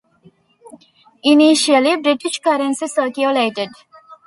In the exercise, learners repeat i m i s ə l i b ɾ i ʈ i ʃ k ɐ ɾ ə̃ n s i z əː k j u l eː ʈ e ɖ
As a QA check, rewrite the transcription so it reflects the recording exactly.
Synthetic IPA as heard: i n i ʃ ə l i b ɾ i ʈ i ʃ k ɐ ɾ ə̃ n s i s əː k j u l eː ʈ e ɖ